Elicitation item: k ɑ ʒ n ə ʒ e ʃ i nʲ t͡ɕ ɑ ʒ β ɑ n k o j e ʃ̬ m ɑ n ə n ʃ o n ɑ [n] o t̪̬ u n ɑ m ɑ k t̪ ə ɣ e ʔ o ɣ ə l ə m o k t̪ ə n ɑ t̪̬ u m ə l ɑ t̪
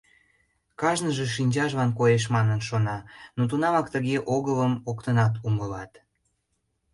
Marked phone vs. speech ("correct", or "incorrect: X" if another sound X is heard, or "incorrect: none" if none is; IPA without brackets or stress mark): correct